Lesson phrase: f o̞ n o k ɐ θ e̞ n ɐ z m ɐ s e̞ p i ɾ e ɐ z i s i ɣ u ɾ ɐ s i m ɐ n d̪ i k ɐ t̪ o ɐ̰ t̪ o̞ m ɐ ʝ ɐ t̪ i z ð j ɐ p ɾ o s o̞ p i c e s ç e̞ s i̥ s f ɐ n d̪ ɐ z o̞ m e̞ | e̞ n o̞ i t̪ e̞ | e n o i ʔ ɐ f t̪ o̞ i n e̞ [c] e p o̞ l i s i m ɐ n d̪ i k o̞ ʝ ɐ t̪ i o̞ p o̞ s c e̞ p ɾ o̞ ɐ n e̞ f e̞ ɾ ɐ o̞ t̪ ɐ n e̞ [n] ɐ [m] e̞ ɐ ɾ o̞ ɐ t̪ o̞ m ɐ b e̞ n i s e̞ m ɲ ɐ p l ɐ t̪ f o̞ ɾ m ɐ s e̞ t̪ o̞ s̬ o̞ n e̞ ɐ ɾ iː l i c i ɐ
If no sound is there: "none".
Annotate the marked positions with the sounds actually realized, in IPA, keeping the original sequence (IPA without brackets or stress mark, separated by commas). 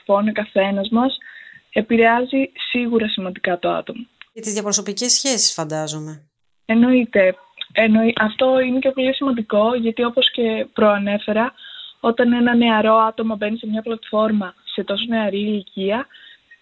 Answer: c, n, n